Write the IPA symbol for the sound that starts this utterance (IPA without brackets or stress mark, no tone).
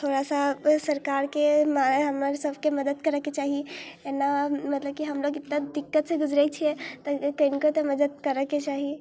t̪ʰ